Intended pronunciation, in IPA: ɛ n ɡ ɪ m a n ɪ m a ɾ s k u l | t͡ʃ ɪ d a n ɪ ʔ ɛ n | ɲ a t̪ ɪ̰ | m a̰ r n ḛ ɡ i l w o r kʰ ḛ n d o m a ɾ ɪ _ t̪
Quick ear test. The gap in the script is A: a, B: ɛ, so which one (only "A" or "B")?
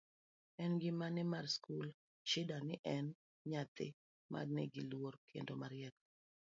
B